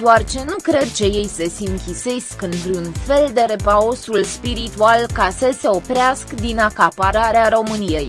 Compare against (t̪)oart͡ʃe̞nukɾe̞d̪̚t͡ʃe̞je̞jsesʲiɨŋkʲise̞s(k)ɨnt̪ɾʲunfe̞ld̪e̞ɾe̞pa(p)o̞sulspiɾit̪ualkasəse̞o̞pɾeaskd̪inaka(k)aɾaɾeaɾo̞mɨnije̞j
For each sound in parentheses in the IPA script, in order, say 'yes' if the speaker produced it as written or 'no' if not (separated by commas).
no, yes, no, no